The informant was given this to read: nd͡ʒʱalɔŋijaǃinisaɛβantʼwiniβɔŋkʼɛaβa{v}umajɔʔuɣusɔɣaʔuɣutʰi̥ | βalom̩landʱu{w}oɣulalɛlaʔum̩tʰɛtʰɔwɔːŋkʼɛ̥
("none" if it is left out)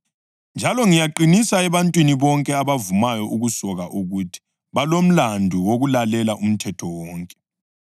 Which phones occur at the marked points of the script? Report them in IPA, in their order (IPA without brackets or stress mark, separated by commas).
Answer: v, w